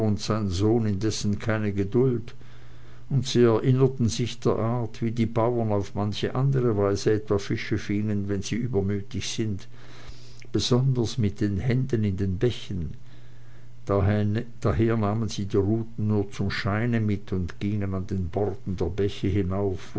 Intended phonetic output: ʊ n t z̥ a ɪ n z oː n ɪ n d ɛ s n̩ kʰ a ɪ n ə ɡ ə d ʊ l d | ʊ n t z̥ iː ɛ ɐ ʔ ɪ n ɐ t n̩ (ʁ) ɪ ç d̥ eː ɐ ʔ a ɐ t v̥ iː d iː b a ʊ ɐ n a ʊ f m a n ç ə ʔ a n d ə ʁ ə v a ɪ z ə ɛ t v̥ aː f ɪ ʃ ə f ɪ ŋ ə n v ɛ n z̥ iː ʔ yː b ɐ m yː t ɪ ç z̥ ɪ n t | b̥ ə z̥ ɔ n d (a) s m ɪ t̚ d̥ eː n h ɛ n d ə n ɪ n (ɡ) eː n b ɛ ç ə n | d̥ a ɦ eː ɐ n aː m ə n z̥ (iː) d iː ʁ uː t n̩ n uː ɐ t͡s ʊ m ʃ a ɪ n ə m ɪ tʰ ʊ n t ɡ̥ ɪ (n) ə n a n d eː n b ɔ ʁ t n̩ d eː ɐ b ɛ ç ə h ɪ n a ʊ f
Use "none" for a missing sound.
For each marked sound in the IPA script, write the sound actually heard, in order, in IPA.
z, ɐ, d, iː, ŋ

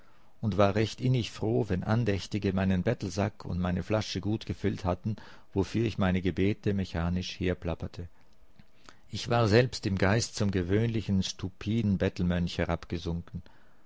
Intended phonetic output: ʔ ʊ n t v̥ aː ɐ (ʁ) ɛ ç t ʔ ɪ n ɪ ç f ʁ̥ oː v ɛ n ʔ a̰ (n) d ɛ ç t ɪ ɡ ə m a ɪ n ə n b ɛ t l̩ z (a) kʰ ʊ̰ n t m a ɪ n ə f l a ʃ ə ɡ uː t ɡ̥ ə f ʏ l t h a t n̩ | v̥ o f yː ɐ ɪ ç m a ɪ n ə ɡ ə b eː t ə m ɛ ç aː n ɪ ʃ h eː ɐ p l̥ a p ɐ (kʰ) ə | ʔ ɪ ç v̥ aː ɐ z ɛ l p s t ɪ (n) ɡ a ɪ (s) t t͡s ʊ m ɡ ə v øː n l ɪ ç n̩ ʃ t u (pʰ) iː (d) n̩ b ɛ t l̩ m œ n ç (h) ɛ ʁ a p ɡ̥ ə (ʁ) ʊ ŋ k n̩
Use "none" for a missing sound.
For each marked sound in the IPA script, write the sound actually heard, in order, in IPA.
ʁ, n, a, tʰ, m, s, pʰ, d, h, z

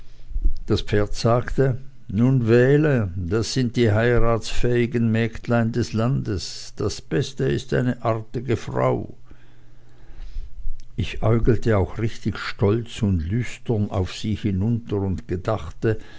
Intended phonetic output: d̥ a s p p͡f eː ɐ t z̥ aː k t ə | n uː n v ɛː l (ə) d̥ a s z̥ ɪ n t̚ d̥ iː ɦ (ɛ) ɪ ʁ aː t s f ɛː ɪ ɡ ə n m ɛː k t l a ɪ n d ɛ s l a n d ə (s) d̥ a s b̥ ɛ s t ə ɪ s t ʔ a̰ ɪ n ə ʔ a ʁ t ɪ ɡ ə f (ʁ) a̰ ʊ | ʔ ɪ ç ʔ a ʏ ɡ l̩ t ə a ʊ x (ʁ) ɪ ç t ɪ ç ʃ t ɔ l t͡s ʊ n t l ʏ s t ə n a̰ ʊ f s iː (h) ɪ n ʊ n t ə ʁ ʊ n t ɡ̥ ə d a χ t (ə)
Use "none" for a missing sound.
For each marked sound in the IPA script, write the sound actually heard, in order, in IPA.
ə, a, s, ʁ, ʁ, h, ə

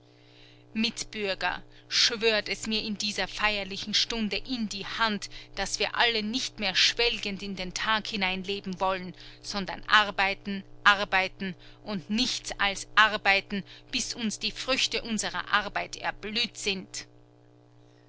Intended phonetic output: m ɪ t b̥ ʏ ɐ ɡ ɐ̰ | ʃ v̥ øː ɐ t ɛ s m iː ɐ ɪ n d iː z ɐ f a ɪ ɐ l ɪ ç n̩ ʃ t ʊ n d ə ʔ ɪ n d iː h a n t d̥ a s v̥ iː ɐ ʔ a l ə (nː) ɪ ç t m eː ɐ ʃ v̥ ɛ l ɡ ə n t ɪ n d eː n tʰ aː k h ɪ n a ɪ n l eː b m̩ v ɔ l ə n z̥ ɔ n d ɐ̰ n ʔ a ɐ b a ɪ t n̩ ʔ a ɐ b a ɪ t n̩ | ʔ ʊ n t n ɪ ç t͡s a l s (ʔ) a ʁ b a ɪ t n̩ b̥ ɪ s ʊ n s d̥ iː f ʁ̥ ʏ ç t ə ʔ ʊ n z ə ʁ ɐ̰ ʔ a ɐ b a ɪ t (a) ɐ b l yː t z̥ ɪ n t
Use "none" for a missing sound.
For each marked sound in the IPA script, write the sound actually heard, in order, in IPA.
n, ʔ, ɛ

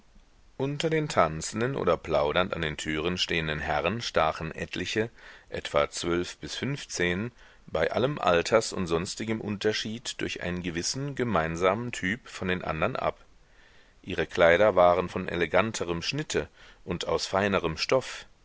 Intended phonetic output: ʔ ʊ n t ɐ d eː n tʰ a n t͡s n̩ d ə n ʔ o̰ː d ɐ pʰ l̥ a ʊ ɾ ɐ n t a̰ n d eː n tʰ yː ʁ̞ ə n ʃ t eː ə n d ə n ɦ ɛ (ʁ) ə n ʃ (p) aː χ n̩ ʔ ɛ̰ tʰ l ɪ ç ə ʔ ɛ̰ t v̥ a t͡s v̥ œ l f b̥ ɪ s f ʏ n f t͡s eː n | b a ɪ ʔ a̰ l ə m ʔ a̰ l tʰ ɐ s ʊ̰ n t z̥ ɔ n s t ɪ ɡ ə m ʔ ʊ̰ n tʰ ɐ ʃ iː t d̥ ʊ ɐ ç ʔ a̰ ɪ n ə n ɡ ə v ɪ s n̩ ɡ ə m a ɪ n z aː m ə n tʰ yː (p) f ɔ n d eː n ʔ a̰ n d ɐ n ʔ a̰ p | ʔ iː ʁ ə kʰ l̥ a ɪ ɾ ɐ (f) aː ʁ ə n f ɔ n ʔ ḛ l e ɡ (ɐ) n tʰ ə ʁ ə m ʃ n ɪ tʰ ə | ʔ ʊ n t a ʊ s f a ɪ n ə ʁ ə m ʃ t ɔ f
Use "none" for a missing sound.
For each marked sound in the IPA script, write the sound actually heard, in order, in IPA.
ʁ, t, p, v, a

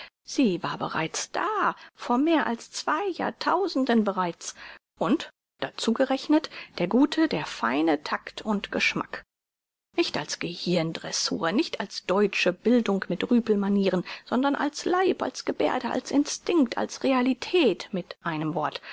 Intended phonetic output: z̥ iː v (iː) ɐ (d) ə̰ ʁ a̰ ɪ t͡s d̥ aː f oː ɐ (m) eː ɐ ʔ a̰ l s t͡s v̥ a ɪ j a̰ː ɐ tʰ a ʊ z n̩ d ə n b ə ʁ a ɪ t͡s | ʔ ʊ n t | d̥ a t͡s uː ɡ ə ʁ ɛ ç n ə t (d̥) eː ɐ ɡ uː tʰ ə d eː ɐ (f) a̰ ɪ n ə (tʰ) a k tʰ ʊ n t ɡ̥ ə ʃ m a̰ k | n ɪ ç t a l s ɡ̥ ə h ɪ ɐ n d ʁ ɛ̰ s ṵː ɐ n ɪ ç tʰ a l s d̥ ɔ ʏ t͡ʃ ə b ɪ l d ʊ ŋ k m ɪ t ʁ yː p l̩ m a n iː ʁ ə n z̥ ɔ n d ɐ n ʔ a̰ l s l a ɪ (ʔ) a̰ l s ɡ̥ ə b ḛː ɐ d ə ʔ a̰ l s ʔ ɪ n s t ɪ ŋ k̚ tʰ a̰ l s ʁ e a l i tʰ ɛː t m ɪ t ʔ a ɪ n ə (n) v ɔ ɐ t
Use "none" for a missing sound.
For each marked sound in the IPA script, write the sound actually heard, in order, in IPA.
aː, b, m, d̥, f, tʰ, p, m

